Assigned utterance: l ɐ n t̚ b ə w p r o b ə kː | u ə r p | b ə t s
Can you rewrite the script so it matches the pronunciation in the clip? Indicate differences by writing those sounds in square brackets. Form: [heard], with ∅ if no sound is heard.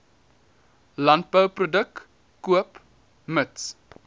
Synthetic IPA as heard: l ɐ n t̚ b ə w p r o [d] ə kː | u ə [∅] p | [m] ə t s